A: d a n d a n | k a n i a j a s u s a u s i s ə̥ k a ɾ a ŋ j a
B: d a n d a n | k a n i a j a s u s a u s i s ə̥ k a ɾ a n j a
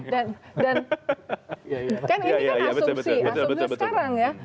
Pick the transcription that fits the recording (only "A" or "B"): A